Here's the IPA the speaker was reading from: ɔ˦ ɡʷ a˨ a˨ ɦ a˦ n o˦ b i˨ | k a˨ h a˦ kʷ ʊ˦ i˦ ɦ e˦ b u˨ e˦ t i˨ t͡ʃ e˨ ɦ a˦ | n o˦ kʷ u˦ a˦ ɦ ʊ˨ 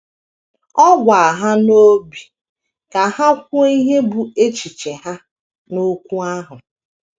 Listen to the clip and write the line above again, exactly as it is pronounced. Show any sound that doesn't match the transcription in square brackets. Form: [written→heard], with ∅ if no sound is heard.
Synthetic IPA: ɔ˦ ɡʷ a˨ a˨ ɦ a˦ n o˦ b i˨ | k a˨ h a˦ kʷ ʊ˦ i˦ ɦ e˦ b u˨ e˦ [t→t͡ʃ] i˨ t͡ʃ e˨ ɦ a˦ | n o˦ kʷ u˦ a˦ ɦ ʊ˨